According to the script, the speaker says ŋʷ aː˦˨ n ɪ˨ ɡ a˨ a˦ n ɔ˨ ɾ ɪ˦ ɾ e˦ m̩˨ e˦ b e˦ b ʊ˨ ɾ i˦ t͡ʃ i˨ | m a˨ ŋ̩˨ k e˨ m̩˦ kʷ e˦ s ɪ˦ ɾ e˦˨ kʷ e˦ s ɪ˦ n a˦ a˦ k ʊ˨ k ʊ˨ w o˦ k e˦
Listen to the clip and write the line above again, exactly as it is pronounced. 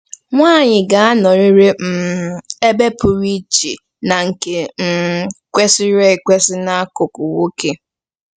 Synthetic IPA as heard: ŋʷ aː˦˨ ɲ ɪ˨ ɡ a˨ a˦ n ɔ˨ ɾ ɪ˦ ɾ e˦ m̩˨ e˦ b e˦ p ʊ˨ ɾ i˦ t͡ʃ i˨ | n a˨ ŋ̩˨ k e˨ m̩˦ kʷ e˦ s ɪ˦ ɾ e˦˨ kʷ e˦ s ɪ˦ n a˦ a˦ k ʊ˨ k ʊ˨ w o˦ k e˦